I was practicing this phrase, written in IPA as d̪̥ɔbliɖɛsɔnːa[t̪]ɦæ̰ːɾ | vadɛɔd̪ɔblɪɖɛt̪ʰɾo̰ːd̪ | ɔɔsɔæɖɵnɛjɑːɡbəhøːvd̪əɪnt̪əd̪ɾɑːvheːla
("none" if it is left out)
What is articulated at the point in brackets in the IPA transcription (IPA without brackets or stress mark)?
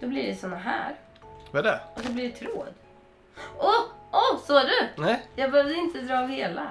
none